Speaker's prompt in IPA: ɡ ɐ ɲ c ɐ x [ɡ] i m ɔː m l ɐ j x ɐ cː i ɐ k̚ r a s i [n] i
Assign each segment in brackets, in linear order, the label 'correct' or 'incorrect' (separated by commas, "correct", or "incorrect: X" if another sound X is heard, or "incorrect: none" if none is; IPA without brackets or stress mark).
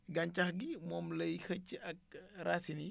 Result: correct, correct